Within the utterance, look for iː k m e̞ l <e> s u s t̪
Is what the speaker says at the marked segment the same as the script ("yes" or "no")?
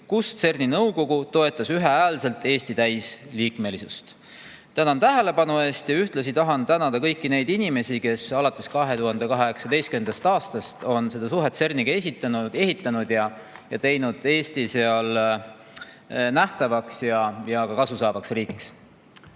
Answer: no